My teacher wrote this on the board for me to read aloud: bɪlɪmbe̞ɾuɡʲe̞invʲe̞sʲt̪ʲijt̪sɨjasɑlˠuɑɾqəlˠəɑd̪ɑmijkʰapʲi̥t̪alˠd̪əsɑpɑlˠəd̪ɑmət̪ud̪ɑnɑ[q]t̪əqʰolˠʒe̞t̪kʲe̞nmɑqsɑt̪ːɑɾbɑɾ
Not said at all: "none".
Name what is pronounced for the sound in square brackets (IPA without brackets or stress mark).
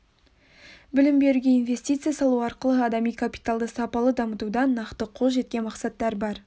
q